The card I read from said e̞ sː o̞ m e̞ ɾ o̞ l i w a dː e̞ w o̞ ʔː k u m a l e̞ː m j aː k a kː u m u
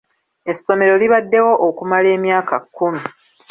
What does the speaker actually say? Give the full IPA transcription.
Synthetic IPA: e̞ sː o̞ m e̞ ɾ o̞ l i β a dː e̞ w o̞ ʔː k u m a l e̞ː m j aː k a kː u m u